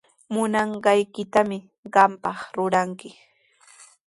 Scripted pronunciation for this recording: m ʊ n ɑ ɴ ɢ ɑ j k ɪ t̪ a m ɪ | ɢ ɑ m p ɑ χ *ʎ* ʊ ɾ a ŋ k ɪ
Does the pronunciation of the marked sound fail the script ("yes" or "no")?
yes